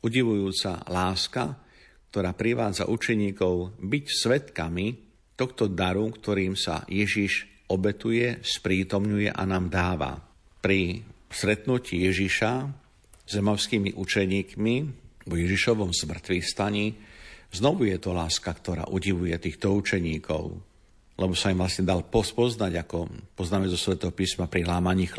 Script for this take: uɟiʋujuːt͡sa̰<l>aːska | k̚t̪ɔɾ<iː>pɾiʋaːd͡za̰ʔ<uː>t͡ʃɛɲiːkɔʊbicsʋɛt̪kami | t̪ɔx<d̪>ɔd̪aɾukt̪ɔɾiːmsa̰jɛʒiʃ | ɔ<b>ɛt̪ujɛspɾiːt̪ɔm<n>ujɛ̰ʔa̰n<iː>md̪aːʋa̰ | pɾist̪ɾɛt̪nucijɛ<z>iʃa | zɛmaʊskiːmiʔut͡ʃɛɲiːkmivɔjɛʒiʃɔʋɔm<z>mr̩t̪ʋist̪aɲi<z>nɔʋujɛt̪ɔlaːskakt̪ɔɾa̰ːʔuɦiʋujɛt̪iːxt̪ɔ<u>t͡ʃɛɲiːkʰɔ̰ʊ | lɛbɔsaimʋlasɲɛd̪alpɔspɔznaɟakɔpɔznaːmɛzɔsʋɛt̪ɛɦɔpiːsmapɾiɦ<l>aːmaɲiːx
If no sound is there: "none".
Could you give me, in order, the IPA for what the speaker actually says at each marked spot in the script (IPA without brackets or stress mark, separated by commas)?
l, aː, u, t̪, b, ɲ, aː, ʒ, z, z, u, l